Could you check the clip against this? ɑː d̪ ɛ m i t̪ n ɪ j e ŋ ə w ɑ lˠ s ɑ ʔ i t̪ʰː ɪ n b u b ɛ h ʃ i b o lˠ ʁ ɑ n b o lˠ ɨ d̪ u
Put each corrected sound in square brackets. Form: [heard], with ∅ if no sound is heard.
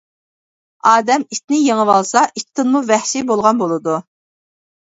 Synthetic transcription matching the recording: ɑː d̪ ɛ m i t̪ n ɪ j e ŋ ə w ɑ lˠ s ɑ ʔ i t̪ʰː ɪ n [m] u [v] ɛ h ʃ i b o lˠ ʁ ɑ n b o lˠ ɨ d̪ u